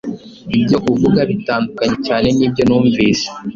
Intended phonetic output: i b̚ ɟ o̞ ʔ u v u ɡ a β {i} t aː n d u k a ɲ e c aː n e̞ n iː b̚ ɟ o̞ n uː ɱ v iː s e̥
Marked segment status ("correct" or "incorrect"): correct